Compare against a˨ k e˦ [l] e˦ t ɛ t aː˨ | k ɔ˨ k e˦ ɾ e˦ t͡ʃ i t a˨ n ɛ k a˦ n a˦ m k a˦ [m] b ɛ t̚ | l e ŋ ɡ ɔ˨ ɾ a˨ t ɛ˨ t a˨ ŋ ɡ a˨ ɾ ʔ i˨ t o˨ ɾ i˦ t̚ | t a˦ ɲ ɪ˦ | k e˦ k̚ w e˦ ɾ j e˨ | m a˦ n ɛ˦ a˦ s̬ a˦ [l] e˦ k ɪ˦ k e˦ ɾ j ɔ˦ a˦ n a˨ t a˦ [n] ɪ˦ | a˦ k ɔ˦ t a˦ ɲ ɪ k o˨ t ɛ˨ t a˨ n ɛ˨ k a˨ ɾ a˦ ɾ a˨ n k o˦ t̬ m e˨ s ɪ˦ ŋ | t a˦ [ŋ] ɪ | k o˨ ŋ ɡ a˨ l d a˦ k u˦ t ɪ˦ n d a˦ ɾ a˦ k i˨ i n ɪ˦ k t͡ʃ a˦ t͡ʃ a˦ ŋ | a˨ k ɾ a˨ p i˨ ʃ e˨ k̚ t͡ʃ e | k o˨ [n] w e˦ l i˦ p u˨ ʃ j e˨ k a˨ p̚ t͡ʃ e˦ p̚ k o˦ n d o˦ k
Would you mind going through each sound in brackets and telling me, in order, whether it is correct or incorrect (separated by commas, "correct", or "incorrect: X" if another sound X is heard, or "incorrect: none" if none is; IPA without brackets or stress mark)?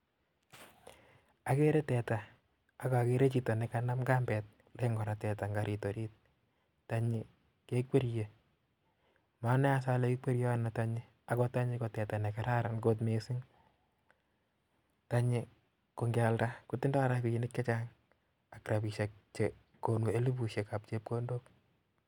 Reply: incorrect: ɾ, correct, correct, incorrect: ɲ, incorrect: ɲ, correct